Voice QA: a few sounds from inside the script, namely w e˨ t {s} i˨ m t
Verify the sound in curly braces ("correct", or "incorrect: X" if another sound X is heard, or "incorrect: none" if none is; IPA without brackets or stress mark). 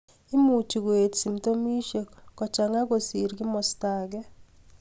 correct